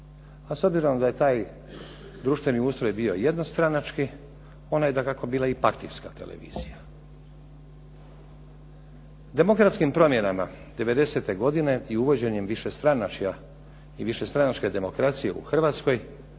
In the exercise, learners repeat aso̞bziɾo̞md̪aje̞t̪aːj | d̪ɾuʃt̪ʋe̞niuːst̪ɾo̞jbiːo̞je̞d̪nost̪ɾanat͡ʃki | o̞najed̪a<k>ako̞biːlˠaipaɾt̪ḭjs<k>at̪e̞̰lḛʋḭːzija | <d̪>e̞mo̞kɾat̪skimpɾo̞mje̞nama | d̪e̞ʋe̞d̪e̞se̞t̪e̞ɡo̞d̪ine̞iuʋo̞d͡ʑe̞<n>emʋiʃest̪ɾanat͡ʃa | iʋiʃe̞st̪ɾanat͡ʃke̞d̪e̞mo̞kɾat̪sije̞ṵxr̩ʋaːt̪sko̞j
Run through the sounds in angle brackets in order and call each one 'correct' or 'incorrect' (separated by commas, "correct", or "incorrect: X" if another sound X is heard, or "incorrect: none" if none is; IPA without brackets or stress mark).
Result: correct, correct, correct, incorrect: ɲ